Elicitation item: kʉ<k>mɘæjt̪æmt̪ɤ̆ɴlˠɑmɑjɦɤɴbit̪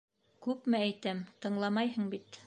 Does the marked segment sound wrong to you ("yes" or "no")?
yes